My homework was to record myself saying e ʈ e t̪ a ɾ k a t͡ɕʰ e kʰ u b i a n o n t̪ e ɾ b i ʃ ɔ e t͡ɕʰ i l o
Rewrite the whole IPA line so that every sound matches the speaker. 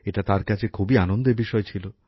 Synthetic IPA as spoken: e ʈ a t̪ a ɾ k a t͡ɕʰ e kʰ u b i a n o n d̪ e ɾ b i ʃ ɔ e t͡ɕʰ i l o

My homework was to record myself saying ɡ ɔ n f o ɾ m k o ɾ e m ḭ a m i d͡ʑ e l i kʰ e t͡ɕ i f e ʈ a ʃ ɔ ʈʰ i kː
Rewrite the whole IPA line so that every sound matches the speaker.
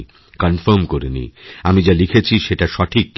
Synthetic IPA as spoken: k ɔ n f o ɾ m k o ɾ e n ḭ a m i d͡ʑ a l i kʰ e t͡ɕʰ i ʃ e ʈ a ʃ ɔ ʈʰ i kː

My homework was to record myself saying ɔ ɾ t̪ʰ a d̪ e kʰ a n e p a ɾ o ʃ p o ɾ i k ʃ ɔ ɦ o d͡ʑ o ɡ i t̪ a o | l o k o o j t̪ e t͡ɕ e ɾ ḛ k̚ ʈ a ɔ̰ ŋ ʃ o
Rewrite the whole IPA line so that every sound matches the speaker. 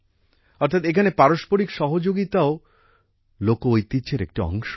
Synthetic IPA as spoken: ɔ ɾ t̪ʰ a t̪ e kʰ a n e p a ɾ o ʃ p o ɾ i k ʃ ɔ ɦ o d͡ʑ o ɡ i t̪ a o | l o k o o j t̪ i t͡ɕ e ɾ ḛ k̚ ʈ i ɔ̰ ŋ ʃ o

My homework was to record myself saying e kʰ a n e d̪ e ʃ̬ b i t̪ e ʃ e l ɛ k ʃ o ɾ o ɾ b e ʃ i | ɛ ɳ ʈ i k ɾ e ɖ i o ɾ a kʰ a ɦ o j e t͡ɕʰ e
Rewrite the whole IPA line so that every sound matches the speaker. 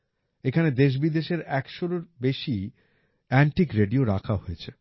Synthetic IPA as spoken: e kʰ a n e d̪ e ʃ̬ b i d̪ e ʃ e ɾ ɛ k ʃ o ɾ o ɾ b e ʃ i | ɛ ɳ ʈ i k ɾ e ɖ i o ɾ a kʰ a ɦ o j e t͡ɕʰ e

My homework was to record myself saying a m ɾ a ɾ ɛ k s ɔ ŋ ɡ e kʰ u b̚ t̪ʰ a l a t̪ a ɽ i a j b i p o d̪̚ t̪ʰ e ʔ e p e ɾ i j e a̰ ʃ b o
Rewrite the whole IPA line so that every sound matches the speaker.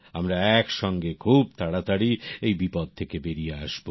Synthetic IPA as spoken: a m ɾ a ɛ k ʃ ɔ ŋ ɡ e kʰ u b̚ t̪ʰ a ɽ a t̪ a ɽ i e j b i p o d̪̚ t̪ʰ e k e b e ɾ i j e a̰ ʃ b o

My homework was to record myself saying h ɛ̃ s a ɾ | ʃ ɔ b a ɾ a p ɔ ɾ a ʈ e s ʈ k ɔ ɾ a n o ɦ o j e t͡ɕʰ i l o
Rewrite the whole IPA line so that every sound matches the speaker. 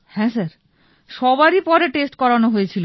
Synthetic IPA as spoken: h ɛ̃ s a ɾ | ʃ ɔ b a ɾ i p ɔ ɾ e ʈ e s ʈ k ɔ ɾ a n o ɦ o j e t͡ɕʰ i l o

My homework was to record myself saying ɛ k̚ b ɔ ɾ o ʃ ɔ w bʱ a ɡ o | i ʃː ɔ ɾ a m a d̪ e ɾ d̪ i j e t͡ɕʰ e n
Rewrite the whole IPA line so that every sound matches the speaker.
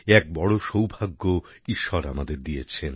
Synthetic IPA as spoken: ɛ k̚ b ɔ ɽ o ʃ o w bʱ a ɡː o | i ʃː ɔ ɾ a m a d̪ e ɾ d̪ i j e t͡ɕʰ e n

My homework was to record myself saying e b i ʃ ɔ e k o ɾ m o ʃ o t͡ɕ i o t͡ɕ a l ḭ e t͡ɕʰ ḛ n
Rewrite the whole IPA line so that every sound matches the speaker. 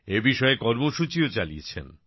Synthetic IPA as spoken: e b i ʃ ɔ e k ɔ ɾ m o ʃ u t͡ɕ i o t͡ɕ a l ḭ e t͡ɕʰ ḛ n

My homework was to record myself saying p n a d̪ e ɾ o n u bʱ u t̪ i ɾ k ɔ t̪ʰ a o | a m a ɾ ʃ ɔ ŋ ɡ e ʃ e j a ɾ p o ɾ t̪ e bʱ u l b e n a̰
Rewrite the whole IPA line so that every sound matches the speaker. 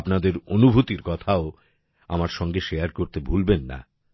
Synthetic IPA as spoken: p n a d̪ e ɾ o n u bʱ u t̪ i ɾ k ɔ t̪ʰ a o | a m a ɾ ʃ ɔ ŋ ɡ e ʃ e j a ɾ k o ɾ t̪ e bʱ u l b e nː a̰

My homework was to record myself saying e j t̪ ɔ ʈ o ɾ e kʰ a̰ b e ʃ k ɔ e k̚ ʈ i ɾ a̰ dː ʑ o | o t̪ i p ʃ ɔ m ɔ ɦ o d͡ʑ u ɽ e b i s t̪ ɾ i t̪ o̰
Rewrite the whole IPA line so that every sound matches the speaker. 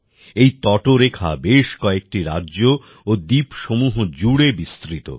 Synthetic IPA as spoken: e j t̪ ɔ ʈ o ɾ e kʰ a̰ b e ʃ k ɔ e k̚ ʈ i ɾ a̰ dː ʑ o | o d̪ i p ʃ o m u ɦ o d͡ʑ u ɽ e b i s t̪ ɾ i t̪ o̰

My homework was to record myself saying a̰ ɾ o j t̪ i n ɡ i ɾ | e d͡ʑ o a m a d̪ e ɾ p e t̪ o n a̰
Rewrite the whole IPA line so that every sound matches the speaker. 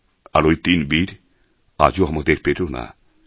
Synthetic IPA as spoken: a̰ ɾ o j t̪ i n b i ɾ | a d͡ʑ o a m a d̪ e ɾ p e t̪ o n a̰

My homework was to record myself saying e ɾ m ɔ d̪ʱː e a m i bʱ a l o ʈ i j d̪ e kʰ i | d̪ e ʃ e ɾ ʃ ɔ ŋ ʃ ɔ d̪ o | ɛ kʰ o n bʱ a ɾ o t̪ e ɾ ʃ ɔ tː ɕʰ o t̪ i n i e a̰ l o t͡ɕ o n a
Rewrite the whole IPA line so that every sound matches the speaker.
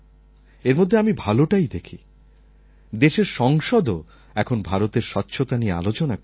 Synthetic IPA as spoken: e ɾ m o d̪ʱː e a m i bʱ a l o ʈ a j d̪ e kʰ i | d̪ e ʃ e ɾ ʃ ɔ ŋ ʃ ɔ d̪ o | ɛ kʰ o n bʱ a ɾ o t̪ e ɾ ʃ ɔ tː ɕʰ o t̪ a n i e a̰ l o t͡ɕ o n a

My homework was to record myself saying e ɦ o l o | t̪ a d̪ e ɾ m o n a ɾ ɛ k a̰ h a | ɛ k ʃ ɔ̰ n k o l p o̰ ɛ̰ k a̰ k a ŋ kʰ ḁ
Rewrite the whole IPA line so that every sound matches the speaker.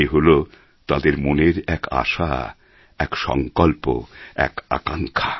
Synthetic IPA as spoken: e ɦ o l o | t̪ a d̪ e ɾ m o n e ɾ ɛ k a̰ ʃ a | ɛ k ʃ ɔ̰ ŋ k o l p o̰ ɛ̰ k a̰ k a ŋ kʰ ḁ

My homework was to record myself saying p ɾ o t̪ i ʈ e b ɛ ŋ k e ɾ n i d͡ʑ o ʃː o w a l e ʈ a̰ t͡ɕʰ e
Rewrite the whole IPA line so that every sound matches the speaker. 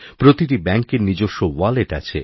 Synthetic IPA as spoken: p ɾ o t̪ i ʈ i b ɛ ŋ k e ɾ n i d͡ʑ o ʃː o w a l e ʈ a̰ t͡ɕʰ e

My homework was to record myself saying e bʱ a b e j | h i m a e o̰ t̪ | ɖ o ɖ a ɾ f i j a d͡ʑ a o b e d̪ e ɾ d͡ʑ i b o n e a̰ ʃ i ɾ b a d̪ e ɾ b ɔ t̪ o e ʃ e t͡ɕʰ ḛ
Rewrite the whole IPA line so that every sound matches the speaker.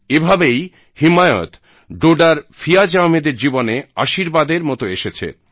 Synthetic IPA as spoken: e bʱ a b e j | h i m a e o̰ t̪ | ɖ o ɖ a ɾ f i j a d͡ʑ a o m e d̪ e ɾ d͡ʑ i b o n e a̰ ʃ i ɾ b a d̪ e ɾ m ɔ t̪ o e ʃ e t͡ɕʰ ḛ

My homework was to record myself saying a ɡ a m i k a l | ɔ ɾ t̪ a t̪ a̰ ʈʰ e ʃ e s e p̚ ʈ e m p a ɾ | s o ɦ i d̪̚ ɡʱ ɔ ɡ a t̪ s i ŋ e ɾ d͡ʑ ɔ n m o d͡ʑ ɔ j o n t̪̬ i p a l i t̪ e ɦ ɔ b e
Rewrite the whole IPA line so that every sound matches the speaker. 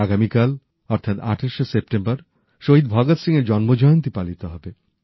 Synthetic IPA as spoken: a ɡ a m i k a l | ɔ ɾ t̪ʰ a t̪ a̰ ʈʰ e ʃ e s e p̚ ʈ e m b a ɾ | ʃ o ɦ i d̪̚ bʱ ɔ ɡ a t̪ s i ŋ e ɾ d͡ʑ ɔ n m o d͡ʑ ɔ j o n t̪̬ i p a l i t̪ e ɦ ɔ b e

